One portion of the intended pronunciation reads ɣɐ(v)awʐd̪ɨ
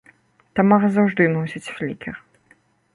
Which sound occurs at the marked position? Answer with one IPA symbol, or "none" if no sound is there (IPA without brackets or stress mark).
z